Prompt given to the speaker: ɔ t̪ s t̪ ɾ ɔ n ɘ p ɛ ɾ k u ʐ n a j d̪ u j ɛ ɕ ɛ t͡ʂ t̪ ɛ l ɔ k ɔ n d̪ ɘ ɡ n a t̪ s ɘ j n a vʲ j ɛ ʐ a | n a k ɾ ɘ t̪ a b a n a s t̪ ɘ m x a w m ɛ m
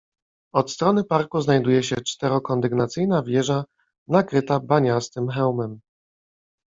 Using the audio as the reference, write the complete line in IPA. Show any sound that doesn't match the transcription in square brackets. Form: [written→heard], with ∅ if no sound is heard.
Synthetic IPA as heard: ɔ t̪ s t̪ ɾ ɔ n ɘ p [ɛ→a] ɾ k u [ʐ→z] n a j d̪ u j ɛ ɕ ɛ t͡ʂ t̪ ɛ [l→ɾ] ɔ k ɔ n d̪ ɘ ɡ n a t̪ s ɘ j n a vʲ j ɛ ʐ a | n a k ɾ ɘ t̪ a b a [n→ɲ] a s t̪ ɘ m x [a→ɛ] w m ɛ m